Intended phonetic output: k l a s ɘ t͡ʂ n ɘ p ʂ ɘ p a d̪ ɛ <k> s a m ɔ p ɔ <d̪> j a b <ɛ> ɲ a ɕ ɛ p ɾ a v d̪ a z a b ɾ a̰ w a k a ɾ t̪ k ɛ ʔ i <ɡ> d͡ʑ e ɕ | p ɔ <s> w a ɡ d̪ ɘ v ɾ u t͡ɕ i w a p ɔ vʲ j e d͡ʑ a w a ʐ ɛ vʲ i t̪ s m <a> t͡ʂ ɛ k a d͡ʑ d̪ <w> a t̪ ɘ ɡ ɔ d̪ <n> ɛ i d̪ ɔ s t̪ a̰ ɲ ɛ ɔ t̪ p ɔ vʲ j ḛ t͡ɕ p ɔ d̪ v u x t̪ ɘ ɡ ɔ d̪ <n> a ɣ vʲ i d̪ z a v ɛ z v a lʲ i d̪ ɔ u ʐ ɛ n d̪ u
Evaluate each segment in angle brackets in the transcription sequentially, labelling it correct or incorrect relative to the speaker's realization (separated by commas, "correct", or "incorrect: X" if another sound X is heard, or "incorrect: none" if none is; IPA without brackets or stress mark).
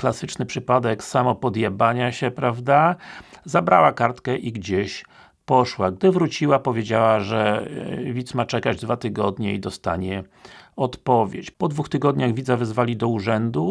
correct, correct, incorrect: a, correct, incorrect: ʂ, correct, incorrect: v, incorrect: ɲ, incorrect: ɲ